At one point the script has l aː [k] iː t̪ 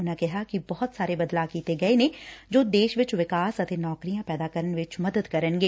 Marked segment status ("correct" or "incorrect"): correct